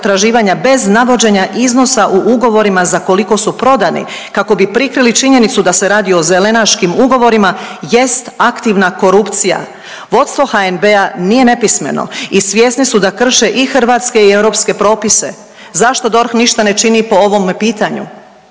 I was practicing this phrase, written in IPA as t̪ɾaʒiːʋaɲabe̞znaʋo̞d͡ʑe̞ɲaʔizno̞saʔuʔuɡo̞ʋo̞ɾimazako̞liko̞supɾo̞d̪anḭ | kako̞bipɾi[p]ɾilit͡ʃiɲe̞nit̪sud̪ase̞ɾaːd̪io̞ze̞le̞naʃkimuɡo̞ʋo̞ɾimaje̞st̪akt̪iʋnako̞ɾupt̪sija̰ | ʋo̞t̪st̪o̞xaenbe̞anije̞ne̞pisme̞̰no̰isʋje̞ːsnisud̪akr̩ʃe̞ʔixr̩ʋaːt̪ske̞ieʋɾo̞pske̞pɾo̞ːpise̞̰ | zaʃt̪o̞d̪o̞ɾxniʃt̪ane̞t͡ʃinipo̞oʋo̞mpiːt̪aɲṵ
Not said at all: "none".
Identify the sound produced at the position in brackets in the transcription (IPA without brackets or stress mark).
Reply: k